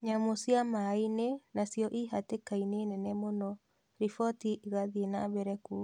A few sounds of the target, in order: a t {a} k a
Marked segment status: incorrect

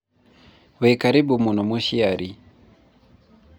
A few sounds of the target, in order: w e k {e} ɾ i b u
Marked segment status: incorrect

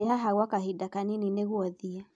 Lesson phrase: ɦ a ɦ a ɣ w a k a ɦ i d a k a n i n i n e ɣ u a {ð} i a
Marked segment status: correct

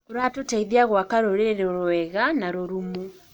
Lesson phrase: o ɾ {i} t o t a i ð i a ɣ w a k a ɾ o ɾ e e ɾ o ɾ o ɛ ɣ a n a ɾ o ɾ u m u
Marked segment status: incorrect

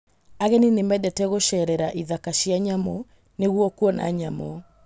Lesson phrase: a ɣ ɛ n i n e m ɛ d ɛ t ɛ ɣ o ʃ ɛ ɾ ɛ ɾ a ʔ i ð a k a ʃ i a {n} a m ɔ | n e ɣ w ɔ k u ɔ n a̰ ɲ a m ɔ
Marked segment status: incorrect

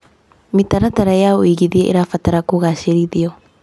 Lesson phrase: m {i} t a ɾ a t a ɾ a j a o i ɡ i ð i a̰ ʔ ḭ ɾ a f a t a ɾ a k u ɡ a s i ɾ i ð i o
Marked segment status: correct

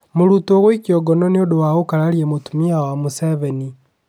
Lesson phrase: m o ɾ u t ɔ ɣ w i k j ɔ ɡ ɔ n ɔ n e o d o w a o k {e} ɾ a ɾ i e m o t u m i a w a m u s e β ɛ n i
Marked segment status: incorrect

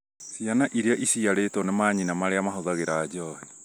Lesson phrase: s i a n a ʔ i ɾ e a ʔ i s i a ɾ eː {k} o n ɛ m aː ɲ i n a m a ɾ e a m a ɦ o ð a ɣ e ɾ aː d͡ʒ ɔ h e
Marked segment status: incorrect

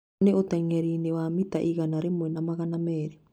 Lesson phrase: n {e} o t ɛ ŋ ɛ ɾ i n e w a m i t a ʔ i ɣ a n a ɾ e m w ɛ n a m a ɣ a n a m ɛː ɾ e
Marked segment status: correct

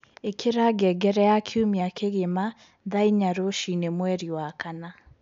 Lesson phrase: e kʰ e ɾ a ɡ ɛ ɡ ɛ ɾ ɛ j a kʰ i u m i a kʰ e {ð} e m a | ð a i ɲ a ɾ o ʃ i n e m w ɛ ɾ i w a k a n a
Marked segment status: incorrect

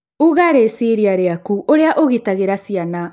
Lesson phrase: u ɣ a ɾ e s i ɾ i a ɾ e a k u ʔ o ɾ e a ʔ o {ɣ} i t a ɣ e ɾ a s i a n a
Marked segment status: correct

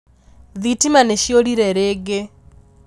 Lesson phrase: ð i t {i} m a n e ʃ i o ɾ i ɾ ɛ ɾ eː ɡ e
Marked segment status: correct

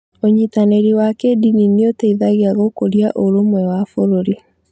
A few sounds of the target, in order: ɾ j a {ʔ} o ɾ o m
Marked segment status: correct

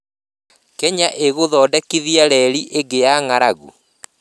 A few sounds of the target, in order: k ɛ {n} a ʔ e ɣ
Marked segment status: incorrect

